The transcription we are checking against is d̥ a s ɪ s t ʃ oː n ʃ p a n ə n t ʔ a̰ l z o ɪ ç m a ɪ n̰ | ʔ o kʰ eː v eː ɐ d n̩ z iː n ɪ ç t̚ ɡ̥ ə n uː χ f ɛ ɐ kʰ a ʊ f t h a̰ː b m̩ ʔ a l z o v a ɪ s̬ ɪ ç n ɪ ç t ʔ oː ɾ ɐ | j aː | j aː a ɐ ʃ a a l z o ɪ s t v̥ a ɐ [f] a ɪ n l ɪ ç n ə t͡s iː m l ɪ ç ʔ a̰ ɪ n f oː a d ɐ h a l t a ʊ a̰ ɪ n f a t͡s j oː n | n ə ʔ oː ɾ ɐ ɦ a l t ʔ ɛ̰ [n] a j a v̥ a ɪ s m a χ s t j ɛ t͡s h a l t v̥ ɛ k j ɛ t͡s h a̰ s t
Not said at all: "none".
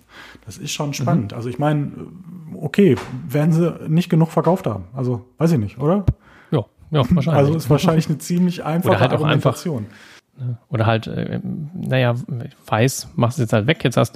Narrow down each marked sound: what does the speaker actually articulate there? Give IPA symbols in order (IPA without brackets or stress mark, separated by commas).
ʃ, n